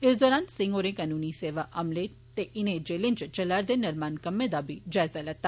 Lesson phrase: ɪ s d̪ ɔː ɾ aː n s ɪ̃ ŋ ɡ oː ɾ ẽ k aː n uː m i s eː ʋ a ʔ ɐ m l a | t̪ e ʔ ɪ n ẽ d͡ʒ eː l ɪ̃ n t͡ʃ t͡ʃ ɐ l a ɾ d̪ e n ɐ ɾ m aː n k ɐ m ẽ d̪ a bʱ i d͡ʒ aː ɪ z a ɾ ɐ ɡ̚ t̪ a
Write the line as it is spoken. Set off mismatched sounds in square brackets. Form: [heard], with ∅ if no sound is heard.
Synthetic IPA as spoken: ɪ s d̪ ɔː ɾ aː n s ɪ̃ ŋ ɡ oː ɾ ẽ k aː n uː [n] i s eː ʋ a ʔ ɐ m l [e] | t̪ e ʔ ɪ n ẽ d͡ʒ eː l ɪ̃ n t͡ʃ t͡ʃ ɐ l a ɾ d̪ e n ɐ ɾ m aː n k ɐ m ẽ d̪ a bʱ i d͡ʒ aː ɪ z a [l] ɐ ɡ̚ t̪ a